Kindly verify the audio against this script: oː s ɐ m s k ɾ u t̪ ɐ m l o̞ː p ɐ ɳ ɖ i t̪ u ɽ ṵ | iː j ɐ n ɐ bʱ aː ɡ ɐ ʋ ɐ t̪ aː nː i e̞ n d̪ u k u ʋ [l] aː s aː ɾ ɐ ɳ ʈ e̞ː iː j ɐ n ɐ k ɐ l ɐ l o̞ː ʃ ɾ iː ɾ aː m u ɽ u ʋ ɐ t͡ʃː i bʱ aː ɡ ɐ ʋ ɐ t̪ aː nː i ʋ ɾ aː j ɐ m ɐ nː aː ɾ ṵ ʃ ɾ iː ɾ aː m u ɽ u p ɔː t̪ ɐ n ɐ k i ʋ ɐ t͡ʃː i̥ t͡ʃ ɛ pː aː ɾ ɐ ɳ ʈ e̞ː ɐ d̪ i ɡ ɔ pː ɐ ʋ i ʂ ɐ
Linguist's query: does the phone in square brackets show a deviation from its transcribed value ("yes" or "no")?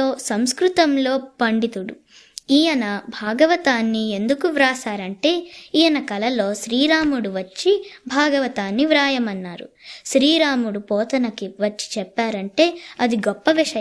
yes